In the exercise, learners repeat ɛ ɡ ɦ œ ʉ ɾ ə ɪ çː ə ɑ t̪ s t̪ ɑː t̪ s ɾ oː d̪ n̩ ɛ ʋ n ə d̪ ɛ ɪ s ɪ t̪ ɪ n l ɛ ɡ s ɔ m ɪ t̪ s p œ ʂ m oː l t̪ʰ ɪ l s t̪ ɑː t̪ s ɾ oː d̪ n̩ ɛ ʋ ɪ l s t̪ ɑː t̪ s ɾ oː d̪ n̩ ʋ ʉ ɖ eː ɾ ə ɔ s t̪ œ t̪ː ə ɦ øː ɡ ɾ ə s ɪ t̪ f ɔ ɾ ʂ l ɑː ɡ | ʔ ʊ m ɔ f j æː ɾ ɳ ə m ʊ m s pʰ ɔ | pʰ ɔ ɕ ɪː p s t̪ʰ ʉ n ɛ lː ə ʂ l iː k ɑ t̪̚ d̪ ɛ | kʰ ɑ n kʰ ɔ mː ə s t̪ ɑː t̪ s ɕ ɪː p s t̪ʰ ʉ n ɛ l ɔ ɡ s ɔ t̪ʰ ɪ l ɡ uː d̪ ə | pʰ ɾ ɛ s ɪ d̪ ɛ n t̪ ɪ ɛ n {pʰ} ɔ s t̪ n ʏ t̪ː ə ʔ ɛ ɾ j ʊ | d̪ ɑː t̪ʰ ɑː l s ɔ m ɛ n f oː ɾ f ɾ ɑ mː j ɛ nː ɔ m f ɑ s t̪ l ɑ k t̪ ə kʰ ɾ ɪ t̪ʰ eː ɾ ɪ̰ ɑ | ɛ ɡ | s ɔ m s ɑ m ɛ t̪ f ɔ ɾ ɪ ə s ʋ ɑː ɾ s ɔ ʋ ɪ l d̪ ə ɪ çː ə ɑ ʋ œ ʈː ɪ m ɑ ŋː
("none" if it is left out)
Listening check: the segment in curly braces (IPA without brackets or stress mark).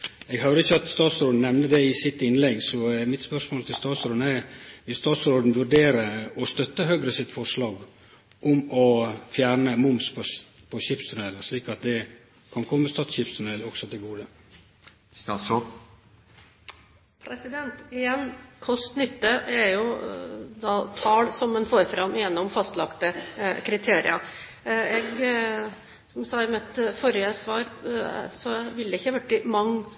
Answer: kʰ